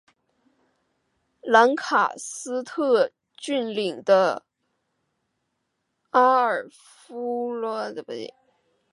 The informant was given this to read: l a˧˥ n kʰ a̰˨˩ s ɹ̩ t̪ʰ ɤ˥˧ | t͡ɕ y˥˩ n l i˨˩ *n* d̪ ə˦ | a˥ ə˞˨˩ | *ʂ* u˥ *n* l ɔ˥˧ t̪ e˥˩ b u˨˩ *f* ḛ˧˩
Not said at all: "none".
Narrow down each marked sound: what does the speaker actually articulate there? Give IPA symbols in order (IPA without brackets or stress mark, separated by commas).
ŋ, f, none, none